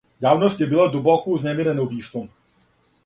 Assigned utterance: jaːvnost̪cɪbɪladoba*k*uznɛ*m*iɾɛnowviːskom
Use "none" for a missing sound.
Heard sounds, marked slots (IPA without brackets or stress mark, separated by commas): k, m